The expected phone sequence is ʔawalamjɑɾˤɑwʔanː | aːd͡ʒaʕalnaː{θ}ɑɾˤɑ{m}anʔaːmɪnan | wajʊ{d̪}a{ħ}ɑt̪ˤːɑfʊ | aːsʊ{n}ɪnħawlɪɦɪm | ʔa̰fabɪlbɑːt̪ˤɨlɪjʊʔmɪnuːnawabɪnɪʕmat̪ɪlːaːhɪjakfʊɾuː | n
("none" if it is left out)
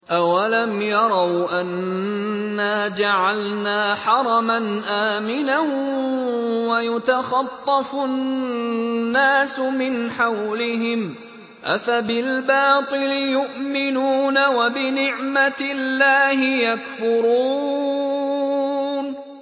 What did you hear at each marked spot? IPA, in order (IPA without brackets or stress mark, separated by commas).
ħ, m, t̪, x, m